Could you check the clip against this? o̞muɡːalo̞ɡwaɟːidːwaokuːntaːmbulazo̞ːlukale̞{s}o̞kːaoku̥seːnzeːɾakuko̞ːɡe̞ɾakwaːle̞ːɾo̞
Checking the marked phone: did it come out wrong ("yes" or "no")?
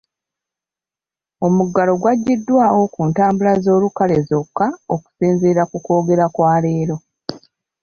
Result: yes